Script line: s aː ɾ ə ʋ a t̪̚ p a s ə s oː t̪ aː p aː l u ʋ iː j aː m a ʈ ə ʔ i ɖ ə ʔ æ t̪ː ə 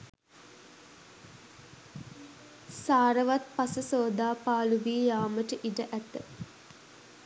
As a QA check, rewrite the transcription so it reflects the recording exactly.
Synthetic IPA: s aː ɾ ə ʋ a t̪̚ p a s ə s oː d̪ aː p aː l u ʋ iː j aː m ə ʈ ə ʔ i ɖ ə ʔ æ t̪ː ə